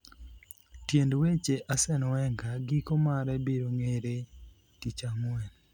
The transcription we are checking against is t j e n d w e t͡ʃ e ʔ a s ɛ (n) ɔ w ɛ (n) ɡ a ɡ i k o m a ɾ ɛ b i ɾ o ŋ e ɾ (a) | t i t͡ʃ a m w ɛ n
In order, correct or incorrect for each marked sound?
correct, incorrect: ŋ, incorrect: e

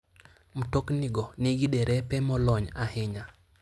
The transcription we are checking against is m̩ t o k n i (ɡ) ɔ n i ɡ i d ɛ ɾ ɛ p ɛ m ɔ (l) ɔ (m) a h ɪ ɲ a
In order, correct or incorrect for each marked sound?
correct, correct, incorrect: ɲ

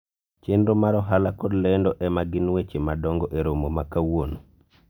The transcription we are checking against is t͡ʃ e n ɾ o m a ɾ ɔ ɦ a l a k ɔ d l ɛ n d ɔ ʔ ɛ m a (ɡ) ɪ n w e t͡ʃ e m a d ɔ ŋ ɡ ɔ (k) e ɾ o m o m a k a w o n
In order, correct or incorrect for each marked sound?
correct, incorrect: ʔ

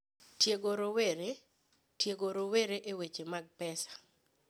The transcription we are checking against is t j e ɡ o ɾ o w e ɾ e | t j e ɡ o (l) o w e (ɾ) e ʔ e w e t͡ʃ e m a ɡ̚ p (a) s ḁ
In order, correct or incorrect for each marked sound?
incorrect: ɾ, correct, incorrect: ɛ

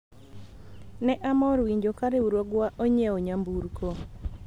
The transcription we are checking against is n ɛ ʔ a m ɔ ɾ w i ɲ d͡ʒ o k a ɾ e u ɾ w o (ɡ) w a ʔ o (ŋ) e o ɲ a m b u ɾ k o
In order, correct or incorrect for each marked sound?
correct, incorrect: ɲ

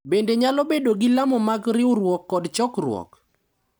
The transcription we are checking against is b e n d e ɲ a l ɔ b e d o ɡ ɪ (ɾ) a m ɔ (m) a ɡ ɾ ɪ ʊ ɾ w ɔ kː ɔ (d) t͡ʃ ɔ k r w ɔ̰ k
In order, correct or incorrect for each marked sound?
incorrect: l, correct, correct

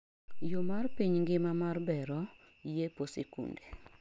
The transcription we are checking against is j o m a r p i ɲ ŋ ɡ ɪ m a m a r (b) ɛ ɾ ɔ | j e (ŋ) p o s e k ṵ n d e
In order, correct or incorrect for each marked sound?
correct, incorrect: none

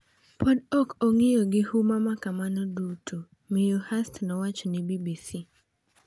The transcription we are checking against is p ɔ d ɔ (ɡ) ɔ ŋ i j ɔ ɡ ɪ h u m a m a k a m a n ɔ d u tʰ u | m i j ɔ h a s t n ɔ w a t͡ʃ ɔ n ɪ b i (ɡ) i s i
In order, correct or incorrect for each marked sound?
incorrect: k, incorrect: b

